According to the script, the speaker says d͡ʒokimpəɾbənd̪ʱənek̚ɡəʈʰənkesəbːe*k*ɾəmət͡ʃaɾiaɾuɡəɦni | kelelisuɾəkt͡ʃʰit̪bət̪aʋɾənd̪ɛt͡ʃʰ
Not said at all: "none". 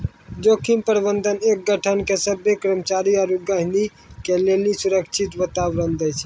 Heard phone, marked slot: k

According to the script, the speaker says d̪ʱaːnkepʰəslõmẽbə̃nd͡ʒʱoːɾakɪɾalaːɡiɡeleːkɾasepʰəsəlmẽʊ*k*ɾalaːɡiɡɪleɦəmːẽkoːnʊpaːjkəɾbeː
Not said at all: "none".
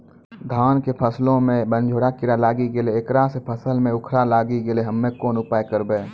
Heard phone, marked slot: kʰ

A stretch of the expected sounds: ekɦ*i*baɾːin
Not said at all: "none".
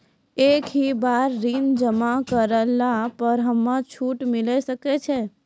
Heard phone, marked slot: i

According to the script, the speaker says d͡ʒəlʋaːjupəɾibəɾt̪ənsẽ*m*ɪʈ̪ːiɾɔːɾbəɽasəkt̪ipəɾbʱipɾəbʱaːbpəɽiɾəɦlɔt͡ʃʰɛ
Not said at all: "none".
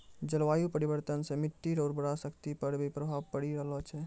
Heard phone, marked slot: m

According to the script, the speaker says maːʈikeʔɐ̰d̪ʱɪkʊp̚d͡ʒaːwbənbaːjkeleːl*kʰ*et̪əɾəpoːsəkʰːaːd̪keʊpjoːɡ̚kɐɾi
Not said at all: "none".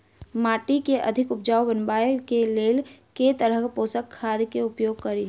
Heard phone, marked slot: k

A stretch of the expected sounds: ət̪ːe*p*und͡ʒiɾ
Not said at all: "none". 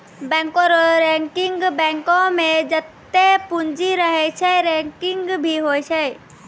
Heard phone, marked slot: p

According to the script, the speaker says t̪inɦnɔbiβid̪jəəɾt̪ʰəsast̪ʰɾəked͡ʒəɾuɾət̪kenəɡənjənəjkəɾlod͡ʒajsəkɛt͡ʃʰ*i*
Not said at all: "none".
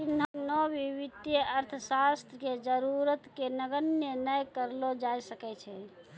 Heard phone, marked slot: ɛ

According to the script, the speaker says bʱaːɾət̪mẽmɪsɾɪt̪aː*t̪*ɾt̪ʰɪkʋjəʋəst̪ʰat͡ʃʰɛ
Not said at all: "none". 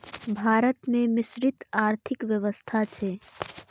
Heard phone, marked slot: none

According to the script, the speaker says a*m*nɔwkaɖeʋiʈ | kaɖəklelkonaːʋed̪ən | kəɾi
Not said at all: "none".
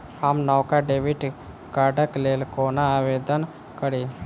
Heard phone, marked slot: m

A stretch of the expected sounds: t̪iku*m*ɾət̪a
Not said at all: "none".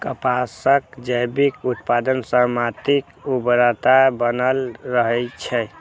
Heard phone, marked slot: b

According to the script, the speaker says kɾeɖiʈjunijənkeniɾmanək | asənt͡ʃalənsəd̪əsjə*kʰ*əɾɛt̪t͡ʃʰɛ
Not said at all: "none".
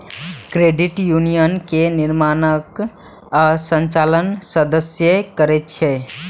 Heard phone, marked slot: k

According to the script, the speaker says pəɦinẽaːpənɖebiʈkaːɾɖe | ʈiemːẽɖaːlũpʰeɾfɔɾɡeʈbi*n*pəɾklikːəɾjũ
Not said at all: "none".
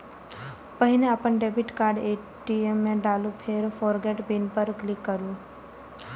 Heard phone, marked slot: n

